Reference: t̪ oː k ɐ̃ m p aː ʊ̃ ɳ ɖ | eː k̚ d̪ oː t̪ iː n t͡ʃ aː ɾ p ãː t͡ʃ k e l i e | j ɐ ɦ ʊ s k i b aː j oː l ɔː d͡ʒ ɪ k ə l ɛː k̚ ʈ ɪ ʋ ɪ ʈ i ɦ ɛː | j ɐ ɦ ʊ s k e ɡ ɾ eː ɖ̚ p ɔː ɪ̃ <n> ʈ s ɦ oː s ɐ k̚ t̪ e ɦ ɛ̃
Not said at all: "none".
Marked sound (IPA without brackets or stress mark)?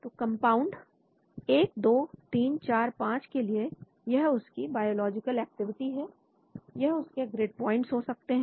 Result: ɳ